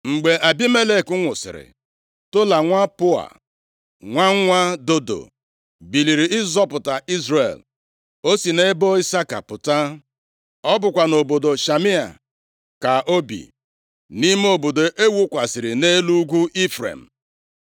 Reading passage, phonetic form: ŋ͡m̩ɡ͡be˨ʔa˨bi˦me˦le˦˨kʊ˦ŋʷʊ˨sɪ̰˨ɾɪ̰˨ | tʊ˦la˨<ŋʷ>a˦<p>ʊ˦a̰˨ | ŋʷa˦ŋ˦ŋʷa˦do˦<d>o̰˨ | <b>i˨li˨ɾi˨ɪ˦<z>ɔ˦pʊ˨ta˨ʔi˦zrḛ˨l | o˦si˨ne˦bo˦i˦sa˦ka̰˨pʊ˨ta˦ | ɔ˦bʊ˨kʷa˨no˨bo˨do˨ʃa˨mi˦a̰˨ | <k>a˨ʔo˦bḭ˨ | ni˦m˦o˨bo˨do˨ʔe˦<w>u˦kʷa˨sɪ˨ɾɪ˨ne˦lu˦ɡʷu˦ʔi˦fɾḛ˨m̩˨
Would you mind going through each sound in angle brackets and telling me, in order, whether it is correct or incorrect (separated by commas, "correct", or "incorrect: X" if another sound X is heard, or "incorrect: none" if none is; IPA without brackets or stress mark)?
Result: correct, correct, correct, correct, correct, correct, correct